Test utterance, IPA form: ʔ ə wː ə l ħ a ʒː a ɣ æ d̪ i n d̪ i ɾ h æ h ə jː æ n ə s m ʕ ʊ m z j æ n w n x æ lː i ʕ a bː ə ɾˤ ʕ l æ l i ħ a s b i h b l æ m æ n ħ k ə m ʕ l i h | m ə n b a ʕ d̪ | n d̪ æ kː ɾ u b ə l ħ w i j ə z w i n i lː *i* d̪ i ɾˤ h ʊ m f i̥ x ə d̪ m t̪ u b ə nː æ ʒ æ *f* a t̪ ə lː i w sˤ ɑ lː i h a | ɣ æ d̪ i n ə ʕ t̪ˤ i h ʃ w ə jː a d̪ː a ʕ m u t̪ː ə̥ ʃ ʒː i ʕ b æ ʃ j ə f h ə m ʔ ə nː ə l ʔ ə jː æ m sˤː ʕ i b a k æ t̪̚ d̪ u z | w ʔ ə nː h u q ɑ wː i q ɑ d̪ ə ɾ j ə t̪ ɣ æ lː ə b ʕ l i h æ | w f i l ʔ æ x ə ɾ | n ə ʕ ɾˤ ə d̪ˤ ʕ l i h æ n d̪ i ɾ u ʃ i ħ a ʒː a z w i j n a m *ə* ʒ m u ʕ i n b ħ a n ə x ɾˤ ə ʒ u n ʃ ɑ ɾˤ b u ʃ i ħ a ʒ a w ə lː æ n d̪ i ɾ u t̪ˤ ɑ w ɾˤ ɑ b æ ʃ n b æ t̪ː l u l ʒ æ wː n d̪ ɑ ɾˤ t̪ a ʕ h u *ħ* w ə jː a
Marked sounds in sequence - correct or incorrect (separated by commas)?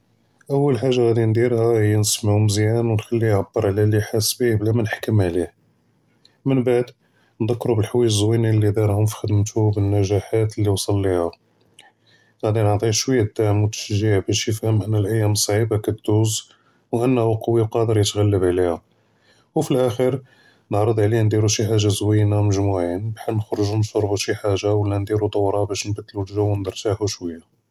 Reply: correct, incorrect, correct, incorrect